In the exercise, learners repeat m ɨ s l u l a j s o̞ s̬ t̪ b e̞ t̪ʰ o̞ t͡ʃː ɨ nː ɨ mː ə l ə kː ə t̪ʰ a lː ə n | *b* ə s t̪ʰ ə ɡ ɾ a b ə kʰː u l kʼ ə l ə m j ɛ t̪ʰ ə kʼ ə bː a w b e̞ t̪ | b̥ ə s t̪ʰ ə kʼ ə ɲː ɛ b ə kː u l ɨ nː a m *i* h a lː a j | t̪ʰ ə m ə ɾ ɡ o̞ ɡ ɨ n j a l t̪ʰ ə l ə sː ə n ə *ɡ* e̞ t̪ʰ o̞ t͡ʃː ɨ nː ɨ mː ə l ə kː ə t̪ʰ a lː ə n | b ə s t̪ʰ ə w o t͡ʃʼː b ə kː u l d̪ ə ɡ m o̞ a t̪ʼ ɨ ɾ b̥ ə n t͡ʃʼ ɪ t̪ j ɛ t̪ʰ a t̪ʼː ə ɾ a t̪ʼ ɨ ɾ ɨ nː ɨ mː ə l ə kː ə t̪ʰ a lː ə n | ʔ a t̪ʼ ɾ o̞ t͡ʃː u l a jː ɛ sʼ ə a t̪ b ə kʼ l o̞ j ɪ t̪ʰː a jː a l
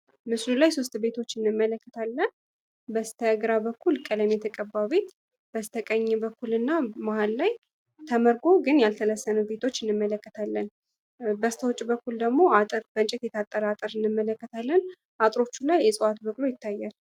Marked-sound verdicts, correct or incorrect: correct, incorrect: a, incorrect: b

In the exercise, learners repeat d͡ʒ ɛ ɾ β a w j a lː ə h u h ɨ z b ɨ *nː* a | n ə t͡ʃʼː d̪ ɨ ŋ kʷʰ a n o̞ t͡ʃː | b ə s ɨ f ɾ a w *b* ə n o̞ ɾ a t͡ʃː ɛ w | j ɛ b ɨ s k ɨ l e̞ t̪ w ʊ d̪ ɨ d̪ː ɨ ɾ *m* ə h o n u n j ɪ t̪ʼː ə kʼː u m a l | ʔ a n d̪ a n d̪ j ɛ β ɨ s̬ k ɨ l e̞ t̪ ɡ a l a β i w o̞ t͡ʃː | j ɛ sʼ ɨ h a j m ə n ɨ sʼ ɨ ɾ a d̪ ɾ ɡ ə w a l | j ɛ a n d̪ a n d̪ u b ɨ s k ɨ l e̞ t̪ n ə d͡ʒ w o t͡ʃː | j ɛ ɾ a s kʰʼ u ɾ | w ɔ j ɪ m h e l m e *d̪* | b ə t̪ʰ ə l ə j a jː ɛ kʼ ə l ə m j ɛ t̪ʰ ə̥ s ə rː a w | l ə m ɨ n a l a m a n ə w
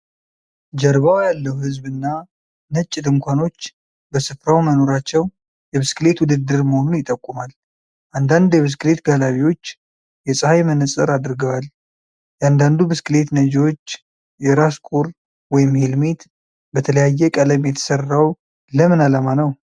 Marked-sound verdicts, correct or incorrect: correct, incorrect: m, correct, incorrect: t̪

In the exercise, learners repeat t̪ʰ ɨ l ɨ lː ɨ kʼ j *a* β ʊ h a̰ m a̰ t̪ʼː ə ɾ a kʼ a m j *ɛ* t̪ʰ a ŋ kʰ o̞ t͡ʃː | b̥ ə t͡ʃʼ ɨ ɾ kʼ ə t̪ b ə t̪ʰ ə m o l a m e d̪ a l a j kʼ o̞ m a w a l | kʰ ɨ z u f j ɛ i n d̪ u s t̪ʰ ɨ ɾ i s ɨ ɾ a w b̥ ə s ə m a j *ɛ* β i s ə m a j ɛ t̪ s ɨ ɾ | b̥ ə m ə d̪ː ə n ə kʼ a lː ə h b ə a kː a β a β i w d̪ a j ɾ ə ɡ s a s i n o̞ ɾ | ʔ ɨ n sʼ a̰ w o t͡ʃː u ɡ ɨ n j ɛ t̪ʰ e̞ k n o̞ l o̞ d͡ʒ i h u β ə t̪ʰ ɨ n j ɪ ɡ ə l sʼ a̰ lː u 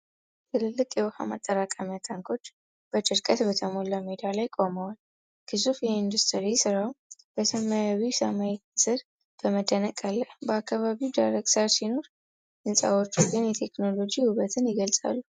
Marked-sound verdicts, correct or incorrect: incorrect: ɛ, incorrect: a, incorrect: a

